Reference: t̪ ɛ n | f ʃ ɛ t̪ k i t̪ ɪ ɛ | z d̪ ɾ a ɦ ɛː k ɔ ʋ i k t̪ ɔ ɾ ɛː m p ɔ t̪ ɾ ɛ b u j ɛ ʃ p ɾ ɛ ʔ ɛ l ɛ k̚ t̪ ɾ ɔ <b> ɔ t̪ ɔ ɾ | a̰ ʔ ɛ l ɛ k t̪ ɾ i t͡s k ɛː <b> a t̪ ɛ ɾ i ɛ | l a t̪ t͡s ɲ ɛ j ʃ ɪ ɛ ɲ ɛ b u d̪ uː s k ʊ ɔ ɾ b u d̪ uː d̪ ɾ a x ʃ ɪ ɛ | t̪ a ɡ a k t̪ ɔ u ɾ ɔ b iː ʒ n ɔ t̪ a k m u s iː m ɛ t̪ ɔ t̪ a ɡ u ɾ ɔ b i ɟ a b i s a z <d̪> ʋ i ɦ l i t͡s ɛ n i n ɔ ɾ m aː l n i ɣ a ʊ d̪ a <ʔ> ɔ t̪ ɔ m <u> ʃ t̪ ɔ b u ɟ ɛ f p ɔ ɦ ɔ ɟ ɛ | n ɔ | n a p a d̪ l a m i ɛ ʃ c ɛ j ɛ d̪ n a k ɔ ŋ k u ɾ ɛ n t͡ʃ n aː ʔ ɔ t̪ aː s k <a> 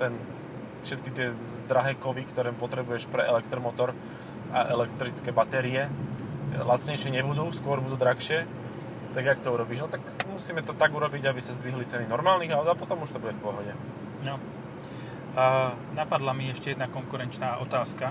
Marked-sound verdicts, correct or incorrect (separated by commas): incorrect, correct, correct, incorrect, correct, correct